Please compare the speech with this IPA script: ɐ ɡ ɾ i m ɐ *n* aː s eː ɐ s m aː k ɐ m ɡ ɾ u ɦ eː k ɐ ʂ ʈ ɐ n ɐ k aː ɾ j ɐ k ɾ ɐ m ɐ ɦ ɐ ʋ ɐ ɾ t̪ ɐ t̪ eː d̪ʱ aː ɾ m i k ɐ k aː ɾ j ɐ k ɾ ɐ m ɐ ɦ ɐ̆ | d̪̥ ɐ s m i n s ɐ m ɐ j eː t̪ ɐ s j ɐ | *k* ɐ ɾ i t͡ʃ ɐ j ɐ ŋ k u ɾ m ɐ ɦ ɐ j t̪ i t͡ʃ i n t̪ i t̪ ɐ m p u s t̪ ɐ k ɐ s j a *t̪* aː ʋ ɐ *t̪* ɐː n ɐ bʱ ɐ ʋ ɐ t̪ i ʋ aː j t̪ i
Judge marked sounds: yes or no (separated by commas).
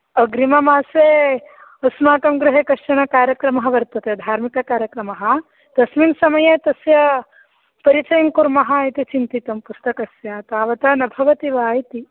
no, no, yes, yes